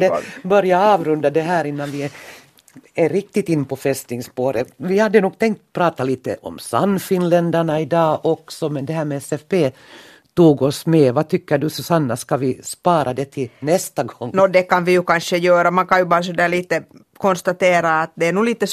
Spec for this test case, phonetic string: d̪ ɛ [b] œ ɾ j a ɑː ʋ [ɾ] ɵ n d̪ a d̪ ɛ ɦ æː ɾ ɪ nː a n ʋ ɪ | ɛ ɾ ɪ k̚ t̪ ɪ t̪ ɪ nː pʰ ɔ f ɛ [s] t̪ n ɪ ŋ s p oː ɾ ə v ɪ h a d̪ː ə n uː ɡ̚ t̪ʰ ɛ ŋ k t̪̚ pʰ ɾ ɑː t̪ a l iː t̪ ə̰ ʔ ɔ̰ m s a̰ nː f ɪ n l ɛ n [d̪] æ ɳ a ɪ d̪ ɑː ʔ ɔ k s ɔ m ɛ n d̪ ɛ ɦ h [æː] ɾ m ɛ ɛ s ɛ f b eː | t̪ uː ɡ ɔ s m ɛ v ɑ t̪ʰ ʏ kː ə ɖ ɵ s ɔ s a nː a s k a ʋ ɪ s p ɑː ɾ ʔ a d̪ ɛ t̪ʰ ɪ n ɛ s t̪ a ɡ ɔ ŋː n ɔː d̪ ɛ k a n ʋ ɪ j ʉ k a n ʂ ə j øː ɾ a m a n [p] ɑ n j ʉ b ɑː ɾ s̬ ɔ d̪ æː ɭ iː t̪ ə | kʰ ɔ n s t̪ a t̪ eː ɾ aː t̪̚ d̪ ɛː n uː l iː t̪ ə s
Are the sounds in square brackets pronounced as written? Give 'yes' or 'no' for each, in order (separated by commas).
yes, yes, yes, yes, yes, no